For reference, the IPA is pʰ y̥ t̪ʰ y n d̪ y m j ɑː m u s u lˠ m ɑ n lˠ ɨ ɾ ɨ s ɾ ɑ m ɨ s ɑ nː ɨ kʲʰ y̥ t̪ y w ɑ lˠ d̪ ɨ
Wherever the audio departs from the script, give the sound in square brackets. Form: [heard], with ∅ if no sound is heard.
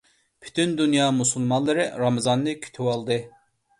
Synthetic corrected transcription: pʰ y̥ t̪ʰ y n d̪ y [n] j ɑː m u s u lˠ m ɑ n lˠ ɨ ɾ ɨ [∅] ɾ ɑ m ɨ [z] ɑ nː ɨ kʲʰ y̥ [t̪ʰ] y w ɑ lˠ d̪ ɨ